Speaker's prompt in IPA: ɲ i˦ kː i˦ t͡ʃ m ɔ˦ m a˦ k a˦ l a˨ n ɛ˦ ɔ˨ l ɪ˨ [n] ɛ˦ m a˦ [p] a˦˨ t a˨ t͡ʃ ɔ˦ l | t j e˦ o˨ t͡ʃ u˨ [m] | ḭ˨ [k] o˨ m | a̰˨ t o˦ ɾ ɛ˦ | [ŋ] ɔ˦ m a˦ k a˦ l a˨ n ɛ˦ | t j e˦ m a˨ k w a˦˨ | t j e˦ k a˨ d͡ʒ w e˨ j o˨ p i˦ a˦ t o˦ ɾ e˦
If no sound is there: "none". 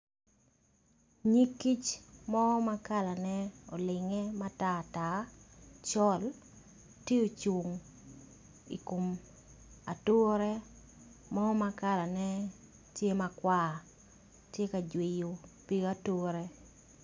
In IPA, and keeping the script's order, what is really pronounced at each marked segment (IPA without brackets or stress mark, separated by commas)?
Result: ŋ, t, ŋ, k, m